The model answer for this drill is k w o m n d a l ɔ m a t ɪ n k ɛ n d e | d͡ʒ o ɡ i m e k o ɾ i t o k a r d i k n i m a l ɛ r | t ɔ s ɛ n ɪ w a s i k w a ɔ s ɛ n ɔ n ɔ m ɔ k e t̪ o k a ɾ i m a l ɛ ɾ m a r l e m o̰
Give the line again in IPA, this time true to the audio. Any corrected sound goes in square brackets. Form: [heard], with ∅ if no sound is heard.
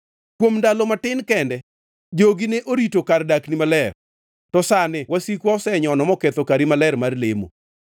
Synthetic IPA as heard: k w o m n d a l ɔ m a t ɪ n k ɛ n d [ɛ] | d͡ʒ o ɡ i [n] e [ʔ] o ɾ i t o k a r d [a] k n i m a l ɛ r | t ɔ s [a] n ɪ w a s i k w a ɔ s ɛ [ɲ] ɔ n ɔ m ɔ k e t̪ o k a ɾ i m a l ɛ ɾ m a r l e m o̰

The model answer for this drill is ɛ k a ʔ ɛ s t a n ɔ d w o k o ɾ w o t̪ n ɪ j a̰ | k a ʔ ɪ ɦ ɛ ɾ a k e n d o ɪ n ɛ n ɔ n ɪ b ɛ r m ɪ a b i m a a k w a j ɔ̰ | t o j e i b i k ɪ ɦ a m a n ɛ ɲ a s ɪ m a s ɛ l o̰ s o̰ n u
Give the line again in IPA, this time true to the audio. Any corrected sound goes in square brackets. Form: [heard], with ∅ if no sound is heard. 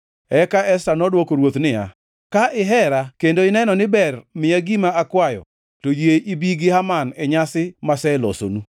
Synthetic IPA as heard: ɛ k a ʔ ɛ s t a n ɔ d w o k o ɾ w o t̪ n ɪ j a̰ | k a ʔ ɪ ɦ ɛ ɾ a k e n d o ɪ n ɛ n ɔ n ɪ b ɛ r m ɪ a [ɡ] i m a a k w a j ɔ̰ | t o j e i b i [ɡ] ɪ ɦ a m a n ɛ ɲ a s ɪ m a s ɛ l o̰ s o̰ n u

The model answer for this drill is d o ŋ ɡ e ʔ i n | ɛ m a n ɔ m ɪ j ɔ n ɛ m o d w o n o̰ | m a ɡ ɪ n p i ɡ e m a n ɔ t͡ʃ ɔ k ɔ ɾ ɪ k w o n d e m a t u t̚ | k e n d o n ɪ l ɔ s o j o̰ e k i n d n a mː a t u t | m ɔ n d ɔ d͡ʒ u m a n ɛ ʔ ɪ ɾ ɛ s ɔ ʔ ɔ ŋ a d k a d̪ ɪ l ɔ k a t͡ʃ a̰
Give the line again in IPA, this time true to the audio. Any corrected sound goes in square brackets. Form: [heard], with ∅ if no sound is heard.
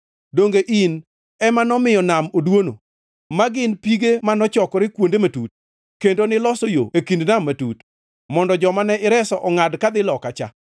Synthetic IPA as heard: d o ŋ ɡ e ʔ i n | ɛ m a n ɔ m ɪ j ɔ n [a] m o d w o n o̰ | m a ɡ ɪ n p i ɡ e m a n ɔ t͡ʃ ɔ k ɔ ɾ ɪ k w o n d e m a t u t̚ | k e n d o n ɪ l ɔ s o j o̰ e k i n d n a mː a t u t | m ɔ n d ɔ d͡ʒ [ɔ] m a n ɛ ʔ ɪ ɾ ɛ s ɔ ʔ ɔ ŋ a d k a d̪ ɪ l ɔ k a t͡ʃ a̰

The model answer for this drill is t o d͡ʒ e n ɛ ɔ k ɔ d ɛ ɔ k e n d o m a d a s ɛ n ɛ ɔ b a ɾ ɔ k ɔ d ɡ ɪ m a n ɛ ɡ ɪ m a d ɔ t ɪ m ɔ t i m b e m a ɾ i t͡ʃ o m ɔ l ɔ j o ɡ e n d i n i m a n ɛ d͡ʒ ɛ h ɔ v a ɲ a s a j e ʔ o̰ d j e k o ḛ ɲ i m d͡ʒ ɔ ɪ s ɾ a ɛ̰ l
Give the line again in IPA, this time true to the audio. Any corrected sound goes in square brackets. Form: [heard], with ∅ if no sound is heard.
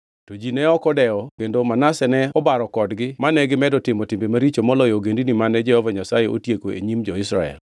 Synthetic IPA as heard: t o d͡ʒ [i] n ɛ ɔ k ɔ d ɛ ɔ k e n d o m a [n] a s ɛ n ɛ ɔ b a ɾ ɔ k ɔ d ɡ ɪ m a n ɛ ɡ ɪ m [ɛ] d ɔ t ɪ m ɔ t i m b e m a ɾ i t͡ʃ o m ɔ l ɔ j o ɡ e n d i n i m a n ɛ d͡ʒ ɛ h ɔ v a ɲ a s a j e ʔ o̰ [t] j e k o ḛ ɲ i m d͡ʒ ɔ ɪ s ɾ a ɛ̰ l

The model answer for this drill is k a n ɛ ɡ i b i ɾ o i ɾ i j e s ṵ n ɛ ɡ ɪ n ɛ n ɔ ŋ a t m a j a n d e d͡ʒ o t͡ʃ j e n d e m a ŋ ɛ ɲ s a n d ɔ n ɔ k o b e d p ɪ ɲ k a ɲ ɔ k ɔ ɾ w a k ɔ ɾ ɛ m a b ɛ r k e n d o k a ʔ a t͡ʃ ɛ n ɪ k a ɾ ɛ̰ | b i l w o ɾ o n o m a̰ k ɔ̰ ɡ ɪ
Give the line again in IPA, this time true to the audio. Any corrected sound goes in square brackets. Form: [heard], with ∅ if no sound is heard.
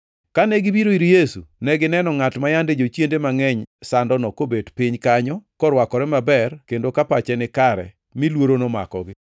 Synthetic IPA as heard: k a n ɛ ɡ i b i ɾ o i ɾ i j e s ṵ n ɛ ɡ ɪ n ɛ n ɔ ŋ a t m a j a n d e d͡ʒ o t͡ʃ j e n d e m a ŋ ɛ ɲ s a n d ɔ n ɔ k o b e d p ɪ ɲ k a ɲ ɔ k ɔ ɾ w a k ɔ ɾ ɛ m a b ɛ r k e n d o k a [p] a t͡ʃ ɛ n ɪ k a ɾ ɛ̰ | [m] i l w o ɾ o n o m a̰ k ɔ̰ ɡ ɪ

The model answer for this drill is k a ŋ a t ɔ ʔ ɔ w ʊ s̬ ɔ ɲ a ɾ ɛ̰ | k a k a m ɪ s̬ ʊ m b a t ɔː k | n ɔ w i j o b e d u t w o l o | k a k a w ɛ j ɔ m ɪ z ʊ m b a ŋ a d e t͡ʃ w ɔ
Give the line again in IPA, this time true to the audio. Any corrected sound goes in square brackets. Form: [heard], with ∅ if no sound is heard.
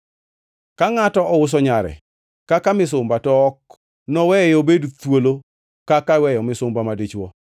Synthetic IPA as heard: k a ŋ a t ɔ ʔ ɔ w ʊ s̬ ɔ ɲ a ɾ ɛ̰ | k a k a m ɪ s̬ ʊ m b a t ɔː k | n ɔ w [ɛ] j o b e d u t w o l o | k a k a w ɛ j ɔ m ɪ [s] ʊ m b a [m] a d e t͡ʃ w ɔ

